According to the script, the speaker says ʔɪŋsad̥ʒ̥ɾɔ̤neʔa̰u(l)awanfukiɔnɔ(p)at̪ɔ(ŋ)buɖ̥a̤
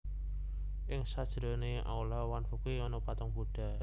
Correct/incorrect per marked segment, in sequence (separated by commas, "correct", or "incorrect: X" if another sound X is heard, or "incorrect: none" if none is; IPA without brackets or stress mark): correct, correct, correct